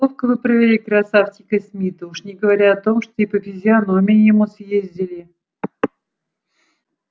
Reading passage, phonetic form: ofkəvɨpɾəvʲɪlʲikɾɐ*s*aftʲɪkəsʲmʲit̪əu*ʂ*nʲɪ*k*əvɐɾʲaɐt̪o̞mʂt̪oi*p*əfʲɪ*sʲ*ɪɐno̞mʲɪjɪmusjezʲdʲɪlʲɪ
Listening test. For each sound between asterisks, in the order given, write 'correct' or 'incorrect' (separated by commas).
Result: correct, correct, incorrect, correct, incorrect